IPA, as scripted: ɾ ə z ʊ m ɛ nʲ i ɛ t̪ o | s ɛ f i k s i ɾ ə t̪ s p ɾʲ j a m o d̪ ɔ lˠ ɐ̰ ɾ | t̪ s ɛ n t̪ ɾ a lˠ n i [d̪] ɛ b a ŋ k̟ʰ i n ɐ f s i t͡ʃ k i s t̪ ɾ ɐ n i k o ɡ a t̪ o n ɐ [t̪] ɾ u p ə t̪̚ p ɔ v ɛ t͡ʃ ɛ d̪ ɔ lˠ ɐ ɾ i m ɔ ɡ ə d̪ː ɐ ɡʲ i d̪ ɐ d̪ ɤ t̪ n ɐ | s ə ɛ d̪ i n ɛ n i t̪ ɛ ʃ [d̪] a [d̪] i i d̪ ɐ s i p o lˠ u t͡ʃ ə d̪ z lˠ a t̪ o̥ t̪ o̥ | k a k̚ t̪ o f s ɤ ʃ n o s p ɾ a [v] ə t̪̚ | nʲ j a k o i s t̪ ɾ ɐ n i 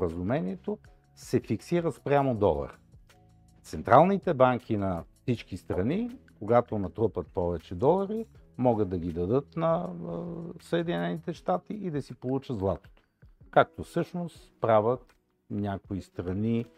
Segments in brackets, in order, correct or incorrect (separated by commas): incorrect, correct, incorrect, incorrect, correct